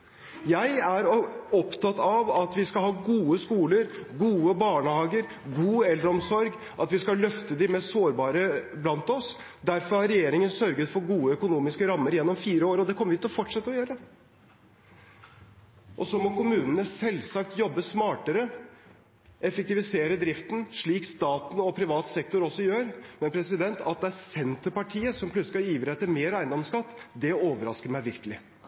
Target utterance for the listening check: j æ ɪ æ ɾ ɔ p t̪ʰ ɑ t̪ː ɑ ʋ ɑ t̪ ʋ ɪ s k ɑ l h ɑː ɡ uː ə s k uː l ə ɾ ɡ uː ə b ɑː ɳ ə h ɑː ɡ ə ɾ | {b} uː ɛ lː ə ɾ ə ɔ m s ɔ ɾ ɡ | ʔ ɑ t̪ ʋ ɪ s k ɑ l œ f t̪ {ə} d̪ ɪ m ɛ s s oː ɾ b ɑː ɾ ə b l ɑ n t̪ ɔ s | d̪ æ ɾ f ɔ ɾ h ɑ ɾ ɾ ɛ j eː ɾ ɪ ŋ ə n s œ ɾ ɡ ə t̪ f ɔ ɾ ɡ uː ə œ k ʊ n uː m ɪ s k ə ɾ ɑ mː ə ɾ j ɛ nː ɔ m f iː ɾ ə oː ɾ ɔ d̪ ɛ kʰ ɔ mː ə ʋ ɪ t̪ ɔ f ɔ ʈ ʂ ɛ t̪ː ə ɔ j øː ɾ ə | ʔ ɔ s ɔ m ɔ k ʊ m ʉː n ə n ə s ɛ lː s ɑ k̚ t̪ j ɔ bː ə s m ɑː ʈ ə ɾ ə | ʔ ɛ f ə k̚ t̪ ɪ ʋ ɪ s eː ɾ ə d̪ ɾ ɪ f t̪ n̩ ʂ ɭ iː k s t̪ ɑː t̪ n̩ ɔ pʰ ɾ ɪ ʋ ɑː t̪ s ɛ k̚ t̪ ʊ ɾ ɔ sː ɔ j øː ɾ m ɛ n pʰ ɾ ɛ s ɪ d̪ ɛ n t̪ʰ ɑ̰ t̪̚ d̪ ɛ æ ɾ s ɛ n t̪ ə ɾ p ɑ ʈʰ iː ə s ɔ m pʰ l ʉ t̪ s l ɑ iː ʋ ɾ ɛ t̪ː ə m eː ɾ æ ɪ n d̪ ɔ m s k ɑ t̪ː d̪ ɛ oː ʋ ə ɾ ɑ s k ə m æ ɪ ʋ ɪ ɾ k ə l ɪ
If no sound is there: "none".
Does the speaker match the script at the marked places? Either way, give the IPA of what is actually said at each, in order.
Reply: ɡ, ə

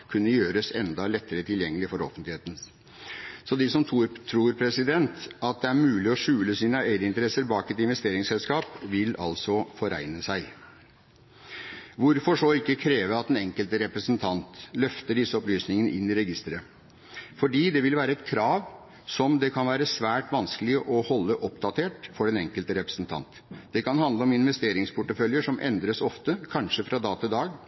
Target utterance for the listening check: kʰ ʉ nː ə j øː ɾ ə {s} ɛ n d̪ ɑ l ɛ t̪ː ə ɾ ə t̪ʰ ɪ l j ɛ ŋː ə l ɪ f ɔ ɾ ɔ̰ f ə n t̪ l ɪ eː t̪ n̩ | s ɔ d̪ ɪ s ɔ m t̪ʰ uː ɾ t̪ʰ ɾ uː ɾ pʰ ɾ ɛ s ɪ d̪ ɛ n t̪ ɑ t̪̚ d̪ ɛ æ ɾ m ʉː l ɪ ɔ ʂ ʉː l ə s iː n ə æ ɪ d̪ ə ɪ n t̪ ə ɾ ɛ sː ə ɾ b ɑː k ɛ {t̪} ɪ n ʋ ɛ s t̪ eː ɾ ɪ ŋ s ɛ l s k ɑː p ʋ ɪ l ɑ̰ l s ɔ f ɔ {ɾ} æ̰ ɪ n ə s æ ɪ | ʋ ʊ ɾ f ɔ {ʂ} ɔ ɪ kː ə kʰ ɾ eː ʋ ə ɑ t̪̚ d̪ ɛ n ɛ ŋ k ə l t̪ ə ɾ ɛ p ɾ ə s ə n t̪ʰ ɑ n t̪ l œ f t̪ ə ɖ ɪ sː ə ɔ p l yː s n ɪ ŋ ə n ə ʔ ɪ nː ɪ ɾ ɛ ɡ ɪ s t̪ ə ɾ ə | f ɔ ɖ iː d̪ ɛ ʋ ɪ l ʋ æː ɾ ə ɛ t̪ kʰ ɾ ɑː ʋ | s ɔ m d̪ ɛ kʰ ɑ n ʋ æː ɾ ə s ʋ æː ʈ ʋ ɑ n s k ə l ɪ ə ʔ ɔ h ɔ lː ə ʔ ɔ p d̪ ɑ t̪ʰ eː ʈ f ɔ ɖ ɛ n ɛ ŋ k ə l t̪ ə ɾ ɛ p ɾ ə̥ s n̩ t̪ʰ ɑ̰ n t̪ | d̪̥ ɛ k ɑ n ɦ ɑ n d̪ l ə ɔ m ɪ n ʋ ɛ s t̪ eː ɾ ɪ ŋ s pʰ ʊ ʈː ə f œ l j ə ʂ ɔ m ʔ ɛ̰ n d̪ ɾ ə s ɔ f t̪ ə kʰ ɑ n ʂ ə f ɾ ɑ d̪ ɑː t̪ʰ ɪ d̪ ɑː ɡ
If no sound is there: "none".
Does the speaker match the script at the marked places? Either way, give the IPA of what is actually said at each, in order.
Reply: s, t̪, ɾ, ʂ

